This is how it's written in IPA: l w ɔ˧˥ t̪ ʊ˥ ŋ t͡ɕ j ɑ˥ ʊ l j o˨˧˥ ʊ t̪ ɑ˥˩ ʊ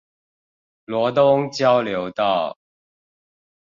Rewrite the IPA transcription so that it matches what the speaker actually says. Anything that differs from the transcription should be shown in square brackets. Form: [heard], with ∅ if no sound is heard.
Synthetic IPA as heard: l w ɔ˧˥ t̪ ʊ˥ ŋ t͡ɕ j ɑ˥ ʊ l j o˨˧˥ ʊ t̪ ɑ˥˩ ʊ